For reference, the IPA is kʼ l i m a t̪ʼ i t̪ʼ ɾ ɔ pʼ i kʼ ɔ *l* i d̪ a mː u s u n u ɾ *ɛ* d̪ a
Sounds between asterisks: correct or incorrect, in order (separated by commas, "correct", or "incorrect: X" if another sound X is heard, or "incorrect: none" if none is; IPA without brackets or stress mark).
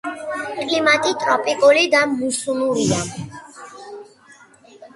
correct, incorrect: i